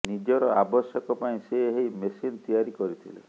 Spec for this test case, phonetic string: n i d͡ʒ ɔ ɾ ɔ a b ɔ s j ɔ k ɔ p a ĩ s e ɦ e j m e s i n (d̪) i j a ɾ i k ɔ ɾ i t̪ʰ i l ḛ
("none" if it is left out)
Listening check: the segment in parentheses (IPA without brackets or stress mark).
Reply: t̪